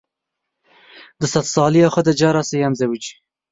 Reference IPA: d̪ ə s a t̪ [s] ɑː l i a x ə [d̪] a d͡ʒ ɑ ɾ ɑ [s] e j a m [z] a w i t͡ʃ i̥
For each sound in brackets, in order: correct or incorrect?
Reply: correct, correct, correct, correct

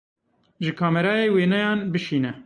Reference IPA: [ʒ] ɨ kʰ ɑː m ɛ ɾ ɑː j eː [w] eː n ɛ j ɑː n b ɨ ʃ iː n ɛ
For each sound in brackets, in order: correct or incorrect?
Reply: correct, correct

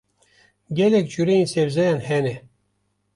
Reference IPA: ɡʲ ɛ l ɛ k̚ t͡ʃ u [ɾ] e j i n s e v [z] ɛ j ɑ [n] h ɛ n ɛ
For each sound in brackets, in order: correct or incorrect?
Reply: correct, correct, correct

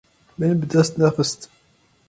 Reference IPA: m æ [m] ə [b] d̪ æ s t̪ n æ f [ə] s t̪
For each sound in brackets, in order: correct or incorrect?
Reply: incorrect, correct, correct

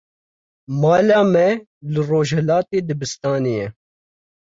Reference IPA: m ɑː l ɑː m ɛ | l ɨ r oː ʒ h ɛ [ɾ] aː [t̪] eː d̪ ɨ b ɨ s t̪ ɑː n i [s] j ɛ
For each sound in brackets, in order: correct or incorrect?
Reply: incorrect, correct, incorrect

